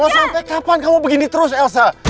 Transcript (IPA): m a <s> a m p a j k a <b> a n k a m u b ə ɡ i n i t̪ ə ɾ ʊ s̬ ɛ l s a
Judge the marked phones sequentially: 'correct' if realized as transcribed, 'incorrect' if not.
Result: correct, incorrect: p

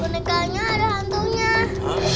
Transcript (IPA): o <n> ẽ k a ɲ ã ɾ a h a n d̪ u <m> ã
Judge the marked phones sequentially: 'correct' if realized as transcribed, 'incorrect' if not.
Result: correct, incorrect: ɲ

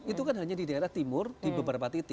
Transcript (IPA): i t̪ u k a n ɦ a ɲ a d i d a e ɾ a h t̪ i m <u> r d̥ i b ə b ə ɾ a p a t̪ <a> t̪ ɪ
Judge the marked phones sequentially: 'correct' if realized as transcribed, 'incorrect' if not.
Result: incorrect: ʊ, incorrect: i

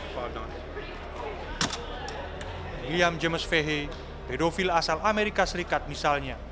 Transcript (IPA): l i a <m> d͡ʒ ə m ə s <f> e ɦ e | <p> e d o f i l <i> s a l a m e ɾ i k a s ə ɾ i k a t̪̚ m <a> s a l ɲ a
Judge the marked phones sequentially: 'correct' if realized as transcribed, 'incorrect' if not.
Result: correct, correct, correct, incorrect: a, incorrect: i

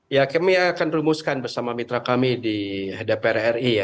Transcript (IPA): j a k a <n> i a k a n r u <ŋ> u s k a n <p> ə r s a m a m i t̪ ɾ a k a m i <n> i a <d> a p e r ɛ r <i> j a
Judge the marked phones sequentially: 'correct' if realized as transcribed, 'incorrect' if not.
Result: incorrect: m, incorrect: m, incorrect: b, incorrect: d, correct, correct

